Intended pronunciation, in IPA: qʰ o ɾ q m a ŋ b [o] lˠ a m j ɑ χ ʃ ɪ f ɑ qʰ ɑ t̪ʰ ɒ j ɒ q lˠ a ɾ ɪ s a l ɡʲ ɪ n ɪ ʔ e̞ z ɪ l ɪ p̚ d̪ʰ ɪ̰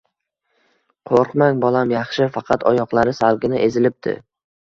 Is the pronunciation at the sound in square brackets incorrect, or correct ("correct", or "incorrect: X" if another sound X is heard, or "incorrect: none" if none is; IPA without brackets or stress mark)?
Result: incorrect: ɒ